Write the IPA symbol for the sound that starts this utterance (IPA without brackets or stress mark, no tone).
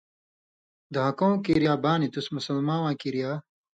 d̪